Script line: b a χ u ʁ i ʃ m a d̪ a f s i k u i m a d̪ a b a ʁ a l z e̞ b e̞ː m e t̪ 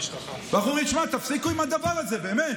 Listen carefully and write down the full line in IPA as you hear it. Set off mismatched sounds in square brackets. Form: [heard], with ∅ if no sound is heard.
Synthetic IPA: b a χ u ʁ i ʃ m a [t̪] a f s i k u i m a d̪ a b a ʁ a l z e̞ b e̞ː m e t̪